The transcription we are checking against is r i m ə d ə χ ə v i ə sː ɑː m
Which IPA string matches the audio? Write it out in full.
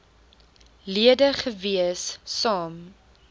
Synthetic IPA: l i ə d ə χ ə v i ə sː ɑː m

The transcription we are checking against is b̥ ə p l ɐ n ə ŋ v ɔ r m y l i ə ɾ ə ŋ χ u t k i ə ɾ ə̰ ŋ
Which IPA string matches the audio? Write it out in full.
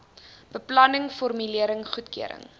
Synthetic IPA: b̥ ə p l ɐ n ə ŋ f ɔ r m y l i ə ɾ ə ŋ χ u t k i ə ɾ ə̰ ŋ

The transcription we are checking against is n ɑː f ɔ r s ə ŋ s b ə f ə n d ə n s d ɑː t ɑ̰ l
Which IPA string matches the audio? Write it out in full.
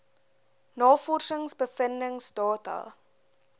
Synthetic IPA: n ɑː f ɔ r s ə ŋ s b ə f ə n d ə ŋ s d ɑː t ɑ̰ l

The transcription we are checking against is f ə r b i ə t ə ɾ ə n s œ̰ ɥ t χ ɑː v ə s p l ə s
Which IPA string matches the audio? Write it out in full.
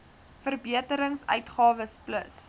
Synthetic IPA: f ə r b i ə t ə ɾ ə ŋ s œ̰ ɥ t χ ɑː v ə s p l ə s

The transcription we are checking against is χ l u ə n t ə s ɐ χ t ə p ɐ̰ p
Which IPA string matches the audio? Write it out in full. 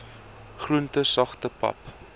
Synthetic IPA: χ r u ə n t ə s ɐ χ t ə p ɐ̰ p

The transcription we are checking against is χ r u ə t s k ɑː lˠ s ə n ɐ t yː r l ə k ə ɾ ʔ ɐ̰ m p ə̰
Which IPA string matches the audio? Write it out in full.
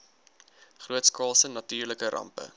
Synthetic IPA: χ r u ə t s k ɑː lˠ s ə n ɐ t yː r l ə k ə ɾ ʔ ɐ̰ m p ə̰

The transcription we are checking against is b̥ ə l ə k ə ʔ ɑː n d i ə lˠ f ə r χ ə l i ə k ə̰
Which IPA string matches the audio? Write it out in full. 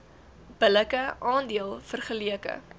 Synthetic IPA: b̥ ə l ə k ə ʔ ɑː n d i ə lˠ f ə r χ ə l i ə k ə̰

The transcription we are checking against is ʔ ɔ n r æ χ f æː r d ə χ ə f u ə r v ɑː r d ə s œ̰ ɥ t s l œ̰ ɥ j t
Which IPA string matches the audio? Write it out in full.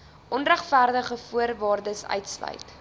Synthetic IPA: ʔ ɔ n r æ χ f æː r d ə χ ə f u ə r v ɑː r d ə s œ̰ ɥ t s l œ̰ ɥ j t

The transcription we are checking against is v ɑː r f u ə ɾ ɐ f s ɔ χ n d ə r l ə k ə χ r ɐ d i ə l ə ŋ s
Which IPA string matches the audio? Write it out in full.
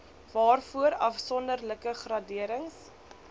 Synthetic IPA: v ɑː r f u ə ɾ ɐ f s ɔ n d ə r l ə k ə χ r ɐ d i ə ɾ ə ŋ s

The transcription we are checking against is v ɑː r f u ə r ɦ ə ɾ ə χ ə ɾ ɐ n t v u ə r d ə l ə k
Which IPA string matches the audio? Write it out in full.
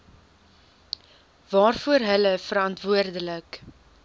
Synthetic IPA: v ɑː r f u ə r ɦ ə l ə f ə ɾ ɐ n t v u ə r d ə l ə k

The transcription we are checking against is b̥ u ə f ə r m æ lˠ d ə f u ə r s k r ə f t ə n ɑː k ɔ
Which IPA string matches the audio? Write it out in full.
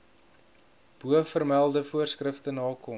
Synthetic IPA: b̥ u ə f ə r m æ lˠ d ə f u ə r s k r ə f t ə n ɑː k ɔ

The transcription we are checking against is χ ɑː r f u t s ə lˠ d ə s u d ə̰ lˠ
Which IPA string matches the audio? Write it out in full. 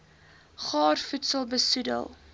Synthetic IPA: χ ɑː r f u t s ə lˠ b ə s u d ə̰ lˠ

